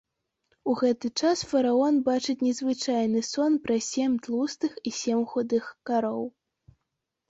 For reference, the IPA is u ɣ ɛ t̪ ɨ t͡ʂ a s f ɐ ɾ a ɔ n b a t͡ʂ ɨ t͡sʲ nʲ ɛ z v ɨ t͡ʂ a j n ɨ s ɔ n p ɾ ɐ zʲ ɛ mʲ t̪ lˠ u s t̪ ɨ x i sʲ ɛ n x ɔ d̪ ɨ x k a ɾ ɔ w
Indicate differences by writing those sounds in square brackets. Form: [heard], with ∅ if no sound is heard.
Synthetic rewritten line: u ɣ ɛ t̪ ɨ t͡ʂ a s f ɐ ɾ a ɔ n b a t͡ʂ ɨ t͡sʲ nʲ ɛ z v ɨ t͡ʂ a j n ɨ s ɔ n p ɾ ɐ [sʲ] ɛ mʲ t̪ lˠ u s t̪ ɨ x i sʲ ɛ [m] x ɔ d̪ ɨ x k a ɾ ɔ w